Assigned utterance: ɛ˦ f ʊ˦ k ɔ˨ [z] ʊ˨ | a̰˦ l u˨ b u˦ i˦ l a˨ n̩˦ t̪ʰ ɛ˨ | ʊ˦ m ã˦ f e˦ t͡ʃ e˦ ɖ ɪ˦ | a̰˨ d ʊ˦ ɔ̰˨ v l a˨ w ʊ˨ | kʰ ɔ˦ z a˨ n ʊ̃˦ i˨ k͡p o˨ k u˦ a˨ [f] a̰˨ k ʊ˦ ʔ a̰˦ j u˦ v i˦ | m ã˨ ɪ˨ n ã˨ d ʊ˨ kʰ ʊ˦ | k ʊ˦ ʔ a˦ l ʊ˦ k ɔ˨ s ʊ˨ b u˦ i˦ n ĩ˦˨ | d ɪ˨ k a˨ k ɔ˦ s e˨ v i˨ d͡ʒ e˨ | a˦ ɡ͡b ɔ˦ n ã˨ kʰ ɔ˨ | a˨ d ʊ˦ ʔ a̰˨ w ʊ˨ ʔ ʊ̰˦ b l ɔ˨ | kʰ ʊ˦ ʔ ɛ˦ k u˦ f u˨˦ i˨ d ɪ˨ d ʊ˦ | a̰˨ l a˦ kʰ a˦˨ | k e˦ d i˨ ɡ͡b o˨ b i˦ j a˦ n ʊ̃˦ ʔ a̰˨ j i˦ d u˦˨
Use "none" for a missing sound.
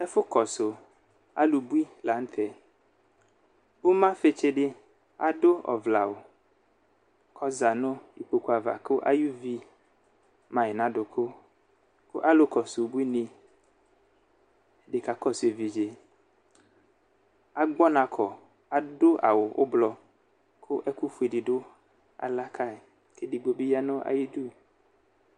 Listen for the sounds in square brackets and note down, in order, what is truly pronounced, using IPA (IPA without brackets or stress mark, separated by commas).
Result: s, v